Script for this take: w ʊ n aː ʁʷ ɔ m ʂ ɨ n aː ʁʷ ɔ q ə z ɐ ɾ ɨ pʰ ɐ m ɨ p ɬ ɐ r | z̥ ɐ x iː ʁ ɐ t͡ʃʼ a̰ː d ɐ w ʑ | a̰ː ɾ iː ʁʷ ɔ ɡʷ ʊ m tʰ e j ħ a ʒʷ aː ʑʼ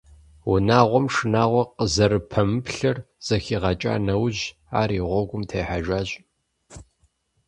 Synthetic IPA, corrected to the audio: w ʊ n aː ʁʷ ɔ m ʂ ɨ n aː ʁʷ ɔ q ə z ɐ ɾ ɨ pʰ ɐ m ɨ p ɬ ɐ r | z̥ ɐ x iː ʁ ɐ t͡ʃʼ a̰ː n ɐ w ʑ | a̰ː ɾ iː ʁʷ ɔ ɡʷ ʊ m tʰ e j ħ a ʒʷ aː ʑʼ